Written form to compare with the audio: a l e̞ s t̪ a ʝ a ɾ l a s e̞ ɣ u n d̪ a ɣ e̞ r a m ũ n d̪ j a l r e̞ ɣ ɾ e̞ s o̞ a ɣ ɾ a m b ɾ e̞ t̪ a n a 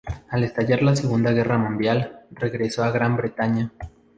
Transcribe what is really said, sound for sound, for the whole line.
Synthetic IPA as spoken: a l e̞ s t̪ a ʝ a ɾ l a s e̞ ɣ u n d̪ a ɣ e̞ r a m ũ n d̪ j a l r e̞ ɣ ɾ e̞ s o̞ a ɣ ɾ a m b ɾ e̞ t̪ a ɲ a